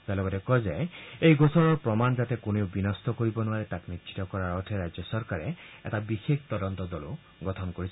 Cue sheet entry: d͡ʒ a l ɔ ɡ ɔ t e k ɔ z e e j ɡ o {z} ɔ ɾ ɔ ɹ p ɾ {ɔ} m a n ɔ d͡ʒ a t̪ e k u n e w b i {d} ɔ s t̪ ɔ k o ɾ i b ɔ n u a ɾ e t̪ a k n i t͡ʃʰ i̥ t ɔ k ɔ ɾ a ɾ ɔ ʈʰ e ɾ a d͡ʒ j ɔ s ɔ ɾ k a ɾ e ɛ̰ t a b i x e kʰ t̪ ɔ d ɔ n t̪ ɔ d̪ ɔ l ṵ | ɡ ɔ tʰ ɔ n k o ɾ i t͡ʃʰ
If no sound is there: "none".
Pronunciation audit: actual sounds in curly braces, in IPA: s, ɔ, n

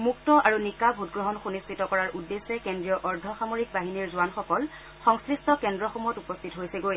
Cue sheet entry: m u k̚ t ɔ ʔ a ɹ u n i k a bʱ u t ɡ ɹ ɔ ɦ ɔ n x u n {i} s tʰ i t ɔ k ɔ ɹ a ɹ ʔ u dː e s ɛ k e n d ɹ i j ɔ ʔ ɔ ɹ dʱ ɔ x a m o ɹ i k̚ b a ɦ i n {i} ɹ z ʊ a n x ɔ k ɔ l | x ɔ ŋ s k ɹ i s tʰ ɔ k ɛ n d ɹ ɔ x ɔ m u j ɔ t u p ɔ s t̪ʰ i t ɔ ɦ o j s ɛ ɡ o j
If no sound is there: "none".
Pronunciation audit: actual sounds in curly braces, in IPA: i, i

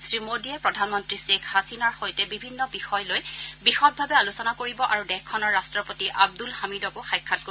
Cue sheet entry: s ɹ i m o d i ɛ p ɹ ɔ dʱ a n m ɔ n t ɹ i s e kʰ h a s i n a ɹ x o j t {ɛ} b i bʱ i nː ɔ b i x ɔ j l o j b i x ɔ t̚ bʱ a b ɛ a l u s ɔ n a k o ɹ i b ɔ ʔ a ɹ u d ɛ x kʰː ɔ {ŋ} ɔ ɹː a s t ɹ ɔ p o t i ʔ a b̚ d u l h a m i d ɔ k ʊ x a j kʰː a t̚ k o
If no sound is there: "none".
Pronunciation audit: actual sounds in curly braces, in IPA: ɛ, n

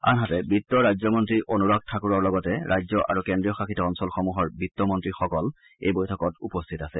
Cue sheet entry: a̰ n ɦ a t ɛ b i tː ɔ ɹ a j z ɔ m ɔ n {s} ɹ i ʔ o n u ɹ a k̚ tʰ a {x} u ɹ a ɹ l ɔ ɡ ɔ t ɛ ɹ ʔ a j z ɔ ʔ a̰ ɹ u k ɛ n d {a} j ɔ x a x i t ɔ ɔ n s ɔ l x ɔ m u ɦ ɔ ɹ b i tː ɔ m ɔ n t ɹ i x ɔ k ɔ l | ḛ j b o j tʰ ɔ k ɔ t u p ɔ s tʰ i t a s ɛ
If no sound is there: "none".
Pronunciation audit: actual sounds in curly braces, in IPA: t, k, i

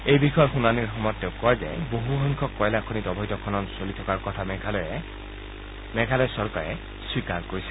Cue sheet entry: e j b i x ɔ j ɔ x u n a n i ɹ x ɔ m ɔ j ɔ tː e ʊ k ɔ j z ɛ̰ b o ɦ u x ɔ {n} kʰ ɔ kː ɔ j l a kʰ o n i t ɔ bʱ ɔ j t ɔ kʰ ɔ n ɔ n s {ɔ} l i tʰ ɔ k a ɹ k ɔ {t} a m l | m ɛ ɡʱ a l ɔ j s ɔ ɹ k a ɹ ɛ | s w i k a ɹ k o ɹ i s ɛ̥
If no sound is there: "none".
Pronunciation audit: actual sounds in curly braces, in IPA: ŋ, o, tʰ

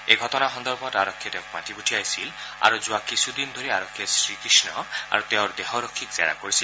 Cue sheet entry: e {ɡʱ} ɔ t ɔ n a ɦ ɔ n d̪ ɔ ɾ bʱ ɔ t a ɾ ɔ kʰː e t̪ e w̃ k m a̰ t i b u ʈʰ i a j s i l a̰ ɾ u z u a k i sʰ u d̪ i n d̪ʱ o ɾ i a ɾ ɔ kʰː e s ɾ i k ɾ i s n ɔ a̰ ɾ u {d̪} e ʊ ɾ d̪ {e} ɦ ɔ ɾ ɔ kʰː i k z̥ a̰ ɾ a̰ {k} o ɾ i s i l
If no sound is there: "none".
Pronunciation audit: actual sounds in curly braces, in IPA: ɡʱ, t̪, e, k

